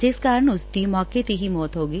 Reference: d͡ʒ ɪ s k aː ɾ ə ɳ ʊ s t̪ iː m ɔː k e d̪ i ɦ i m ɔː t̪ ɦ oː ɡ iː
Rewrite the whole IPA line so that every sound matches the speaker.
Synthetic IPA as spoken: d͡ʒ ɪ s k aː ɾ ə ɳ ʊ s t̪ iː m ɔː k e t̪ i ɦ i m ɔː t̪ ɦ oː ɡ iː

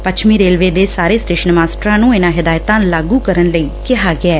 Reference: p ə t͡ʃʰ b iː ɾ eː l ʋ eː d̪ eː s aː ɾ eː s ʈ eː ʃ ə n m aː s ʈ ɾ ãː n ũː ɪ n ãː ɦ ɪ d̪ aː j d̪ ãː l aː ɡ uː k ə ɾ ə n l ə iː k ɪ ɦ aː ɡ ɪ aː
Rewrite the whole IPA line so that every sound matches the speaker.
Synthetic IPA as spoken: p ə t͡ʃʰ m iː ɾ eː l ʋ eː d̪ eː s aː ɾ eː s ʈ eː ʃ ə n m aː s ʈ ɾ ãː n ũː ɪ n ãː ɦ ɪ d̪ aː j t̪ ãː l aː ɡ uː k ə ɾ ə n l ə iː k ɪ ɦ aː ɡ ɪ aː

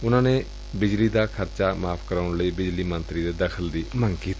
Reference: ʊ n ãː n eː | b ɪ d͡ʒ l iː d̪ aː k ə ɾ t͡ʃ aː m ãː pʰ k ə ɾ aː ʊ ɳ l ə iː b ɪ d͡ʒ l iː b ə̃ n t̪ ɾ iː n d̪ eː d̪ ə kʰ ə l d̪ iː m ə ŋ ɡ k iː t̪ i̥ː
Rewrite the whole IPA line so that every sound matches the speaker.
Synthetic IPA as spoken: ʊ n ãː n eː | b ɪ d͡ʒ l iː d̪ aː kʰ ə ɾ t͡ʃ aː m aː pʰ k ə ɾ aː ʊ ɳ l ə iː b ɪ d͡ʒ l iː m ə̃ n t̪ ɾ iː d̪ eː d̪ ə kʰ ə l d̪ iː m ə ŋ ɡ k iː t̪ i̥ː

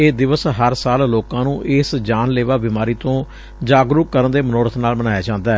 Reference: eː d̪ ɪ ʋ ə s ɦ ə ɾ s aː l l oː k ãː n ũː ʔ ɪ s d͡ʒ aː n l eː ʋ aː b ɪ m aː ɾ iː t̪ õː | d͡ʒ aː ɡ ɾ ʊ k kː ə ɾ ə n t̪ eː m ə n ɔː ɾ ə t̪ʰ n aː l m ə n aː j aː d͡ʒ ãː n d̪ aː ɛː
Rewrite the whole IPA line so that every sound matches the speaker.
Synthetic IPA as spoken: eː d̪ ɪ ʋ ə s ɦ ə ɾ s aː l l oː k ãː n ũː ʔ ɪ s d͡ʒ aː n l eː ʋ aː b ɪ m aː ɾ iː t̪ õː | d͡ʒ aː ɡ ɾ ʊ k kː ə ɾ ə n d̪ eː m ə n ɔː ɾ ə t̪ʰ n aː l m ə n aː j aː d͡ʒ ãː n d̪ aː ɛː

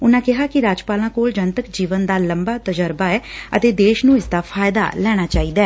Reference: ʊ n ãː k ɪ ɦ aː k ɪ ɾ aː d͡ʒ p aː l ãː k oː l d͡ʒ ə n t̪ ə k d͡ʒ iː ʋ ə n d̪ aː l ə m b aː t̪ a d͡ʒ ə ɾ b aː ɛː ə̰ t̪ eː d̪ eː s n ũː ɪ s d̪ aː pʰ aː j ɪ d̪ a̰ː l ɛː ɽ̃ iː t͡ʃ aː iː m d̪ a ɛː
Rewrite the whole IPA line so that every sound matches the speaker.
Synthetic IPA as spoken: ʊ n ãː k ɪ ɦ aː k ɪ ɾ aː d͡ʒ p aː l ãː k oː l d͡ʒ ə n t̪ ə k d͡ʒ iː ʋ ə n d̪ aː l ə m b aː t̪ ə d͡ʒ ə ɾ b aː ɛː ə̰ t̪ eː d̪ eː ʃ n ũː ɪ s d̪ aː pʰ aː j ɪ d̪ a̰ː l ɛː ɽ̃ aː t͡ʃ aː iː d̪ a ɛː

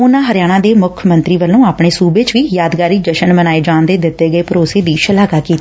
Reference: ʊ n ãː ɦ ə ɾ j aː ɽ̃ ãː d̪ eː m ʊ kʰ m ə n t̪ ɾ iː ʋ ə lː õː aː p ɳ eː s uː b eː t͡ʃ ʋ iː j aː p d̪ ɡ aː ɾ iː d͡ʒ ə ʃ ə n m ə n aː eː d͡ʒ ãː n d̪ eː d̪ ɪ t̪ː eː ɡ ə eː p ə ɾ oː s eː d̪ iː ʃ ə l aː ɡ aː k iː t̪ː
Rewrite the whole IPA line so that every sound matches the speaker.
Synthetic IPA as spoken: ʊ n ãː ɦ ə ɾ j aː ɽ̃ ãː d̪ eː m ʊ kʰ m ə n t̪ ɾ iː ʋ ə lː õː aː p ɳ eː s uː b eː t͡ʃ ʋ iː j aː d̪ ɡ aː ɾ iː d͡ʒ ə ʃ ə n m ə n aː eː d͡ʒ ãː n d̪ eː d̪ ɪ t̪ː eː ɡ ə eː p ə ɾ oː s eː d̪ iː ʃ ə l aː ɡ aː k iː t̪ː

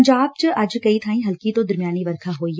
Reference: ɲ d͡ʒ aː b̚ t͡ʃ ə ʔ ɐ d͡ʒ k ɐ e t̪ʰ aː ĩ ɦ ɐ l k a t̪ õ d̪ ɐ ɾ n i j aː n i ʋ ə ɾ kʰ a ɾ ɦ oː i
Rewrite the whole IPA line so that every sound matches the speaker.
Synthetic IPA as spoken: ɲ d͡ʒ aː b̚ t͡ʃ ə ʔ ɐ d͡ʒ k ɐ i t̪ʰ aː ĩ ɦ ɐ l k i t̪ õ d̪ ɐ ɾ m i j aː n i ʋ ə ɾ kʰ a ɦ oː i

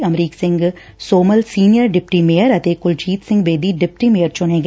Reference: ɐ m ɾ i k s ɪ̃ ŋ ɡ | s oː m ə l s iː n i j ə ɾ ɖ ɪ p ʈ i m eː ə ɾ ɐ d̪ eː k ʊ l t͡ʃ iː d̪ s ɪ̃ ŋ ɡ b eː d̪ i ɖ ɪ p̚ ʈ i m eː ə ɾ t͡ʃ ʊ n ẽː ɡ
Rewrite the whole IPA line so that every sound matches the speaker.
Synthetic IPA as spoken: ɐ m ɾ iː k s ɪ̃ ŋ ɡ | s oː m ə l s iː n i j ə ɾ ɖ ɪ p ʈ i m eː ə ɾ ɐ t̪ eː k ʊ l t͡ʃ iː t̪ s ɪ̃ ŋ ɡ b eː d̪ i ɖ ɪ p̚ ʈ i m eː ə ɾ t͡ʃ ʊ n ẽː ɡ

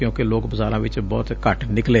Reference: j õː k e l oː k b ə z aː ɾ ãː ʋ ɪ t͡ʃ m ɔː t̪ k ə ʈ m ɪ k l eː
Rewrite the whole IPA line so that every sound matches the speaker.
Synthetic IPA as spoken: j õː k e l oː k b ə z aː ɾ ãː ʋ ɪ t͡ʃ b ɔː t̪ k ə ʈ n ɪ k l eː

